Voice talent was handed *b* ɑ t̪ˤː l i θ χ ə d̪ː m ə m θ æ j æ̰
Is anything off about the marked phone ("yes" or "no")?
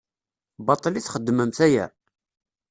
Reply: no